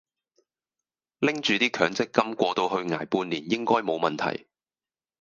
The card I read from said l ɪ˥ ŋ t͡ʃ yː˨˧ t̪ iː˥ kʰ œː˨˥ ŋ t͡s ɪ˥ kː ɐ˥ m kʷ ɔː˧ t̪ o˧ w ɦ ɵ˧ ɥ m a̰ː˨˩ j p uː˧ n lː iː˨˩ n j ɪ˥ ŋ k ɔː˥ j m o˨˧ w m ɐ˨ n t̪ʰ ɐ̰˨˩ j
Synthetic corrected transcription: l ɪ˥ ŋ t͡ʃ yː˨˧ t̪ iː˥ kʰ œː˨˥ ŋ t͡s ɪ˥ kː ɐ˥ m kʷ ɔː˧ t̪ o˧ w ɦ ɵ˧ ɥ ŋ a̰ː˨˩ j p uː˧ n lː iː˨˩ n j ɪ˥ ŋ k ɔː˥ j m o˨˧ w m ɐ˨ n t̪ʰ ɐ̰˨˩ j